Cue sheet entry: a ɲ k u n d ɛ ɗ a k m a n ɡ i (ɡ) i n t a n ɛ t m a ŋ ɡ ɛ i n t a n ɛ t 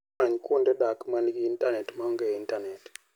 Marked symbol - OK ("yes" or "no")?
no